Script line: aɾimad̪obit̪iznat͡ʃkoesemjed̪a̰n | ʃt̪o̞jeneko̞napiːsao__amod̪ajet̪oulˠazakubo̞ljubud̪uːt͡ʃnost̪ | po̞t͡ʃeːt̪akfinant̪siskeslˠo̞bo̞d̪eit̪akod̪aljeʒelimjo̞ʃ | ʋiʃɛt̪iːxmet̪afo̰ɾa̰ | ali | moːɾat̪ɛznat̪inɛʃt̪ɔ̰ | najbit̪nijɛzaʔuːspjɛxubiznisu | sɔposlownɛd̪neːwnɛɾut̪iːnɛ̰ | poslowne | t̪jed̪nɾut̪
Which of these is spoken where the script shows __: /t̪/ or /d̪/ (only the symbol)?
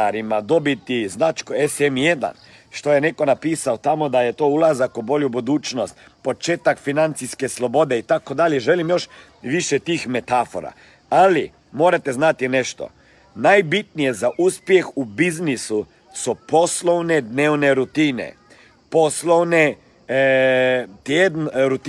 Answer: t̪